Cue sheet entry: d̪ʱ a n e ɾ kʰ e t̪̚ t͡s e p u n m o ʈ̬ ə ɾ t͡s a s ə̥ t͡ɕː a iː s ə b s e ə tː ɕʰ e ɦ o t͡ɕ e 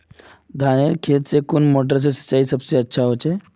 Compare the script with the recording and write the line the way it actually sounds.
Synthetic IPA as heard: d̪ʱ a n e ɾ kʰ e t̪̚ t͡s e k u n m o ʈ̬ ə ɾ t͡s e s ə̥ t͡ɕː a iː s ə b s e ə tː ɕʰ a ɦ o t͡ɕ e